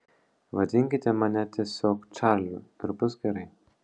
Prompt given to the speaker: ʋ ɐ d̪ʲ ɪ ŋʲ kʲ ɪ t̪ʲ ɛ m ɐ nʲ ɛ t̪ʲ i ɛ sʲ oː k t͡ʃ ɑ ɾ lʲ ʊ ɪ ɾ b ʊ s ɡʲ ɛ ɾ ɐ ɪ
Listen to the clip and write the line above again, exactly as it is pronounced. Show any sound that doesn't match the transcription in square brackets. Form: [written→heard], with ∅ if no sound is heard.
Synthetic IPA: ʋ ɐ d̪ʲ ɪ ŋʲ kʲ ɪ t̪ʲ ɛ m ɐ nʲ ɛ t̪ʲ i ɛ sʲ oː k t͡ʃ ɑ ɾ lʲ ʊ ɪ ɾ b ʊ s ɡʲ ɛ ɾ ɐ ɪ